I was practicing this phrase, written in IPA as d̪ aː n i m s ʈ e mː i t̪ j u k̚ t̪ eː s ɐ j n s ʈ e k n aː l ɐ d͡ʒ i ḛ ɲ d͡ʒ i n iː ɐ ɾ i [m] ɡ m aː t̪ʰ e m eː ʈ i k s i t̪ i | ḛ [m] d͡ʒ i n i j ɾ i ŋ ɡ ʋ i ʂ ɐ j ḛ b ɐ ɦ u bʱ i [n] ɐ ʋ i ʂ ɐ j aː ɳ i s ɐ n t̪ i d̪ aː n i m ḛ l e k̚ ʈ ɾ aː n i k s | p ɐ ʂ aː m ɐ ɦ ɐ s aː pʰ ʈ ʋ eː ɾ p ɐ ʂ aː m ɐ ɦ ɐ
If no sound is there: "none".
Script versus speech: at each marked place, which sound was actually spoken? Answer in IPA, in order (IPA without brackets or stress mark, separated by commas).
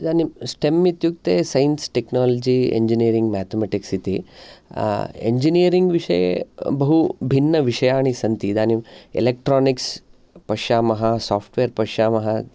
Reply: ŋ, ɲ, nː